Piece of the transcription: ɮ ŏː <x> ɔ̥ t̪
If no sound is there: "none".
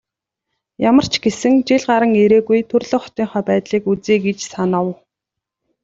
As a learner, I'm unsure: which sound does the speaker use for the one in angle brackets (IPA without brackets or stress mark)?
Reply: χ